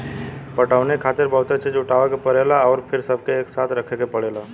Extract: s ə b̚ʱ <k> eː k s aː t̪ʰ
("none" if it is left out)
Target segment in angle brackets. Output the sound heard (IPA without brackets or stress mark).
k